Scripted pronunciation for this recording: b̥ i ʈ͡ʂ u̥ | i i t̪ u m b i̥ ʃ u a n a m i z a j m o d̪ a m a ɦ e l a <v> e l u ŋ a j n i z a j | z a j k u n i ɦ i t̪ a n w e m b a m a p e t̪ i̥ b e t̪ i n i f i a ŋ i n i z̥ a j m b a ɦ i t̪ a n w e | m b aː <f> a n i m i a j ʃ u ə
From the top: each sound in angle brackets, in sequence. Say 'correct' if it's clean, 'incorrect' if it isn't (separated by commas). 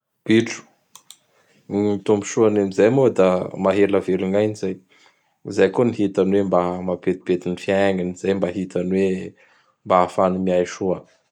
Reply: correct, correct